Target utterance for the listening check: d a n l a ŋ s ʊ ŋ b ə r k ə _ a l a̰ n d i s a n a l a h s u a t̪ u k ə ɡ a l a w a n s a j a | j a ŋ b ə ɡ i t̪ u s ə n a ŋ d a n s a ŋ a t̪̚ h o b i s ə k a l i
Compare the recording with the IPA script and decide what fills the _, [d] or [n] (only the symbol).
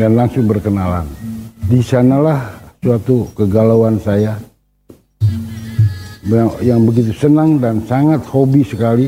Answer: n